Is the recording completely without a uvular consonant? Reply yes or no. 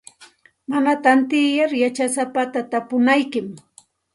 yes